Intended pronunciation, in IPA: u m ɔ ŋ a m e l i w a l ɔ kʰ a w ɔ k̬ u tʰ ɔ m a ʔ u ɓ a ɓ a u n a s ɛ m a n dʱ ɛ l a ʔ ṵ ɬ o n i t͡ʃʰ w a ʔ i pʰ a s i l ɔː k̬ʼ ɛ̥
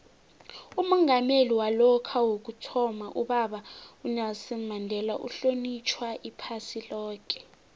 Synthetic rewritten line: u m ɔ ŋ a m e l i w a l ɔ kʰ a w o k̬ u tʰ ɔ m a ʔ u ɓ a ɓ a u n a s ɛ m a n dʱ ɛ l a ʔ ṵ ɬ o n i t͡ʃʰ w a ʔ i pʰ a s i l ɔː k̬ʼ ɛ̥